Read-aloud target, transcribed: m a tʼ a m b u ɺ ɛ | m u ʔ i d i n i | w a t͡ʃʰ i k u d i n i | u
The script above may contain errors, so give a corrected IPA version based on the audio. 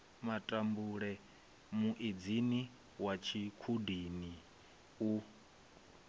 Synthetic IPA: m a tʼ a m b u ɺ ɛ | m u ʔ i d͡z i n i | w a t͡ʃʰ i kʰ u d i n i | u